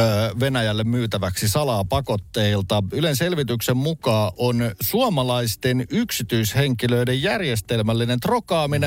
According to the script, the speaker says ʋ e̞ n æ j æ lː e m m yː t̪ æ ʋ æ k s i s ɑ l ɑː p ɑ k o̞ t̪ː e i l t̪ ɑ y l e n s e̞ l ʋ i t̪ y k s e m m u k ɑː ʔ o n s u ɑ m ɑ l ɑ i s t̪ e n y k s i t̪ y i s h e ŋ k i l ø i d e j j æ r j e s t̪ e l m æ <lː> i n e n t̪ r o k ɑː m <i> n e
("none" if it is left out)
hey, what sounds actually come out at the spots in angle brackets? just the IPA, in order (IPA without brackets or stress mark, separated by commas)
lː, i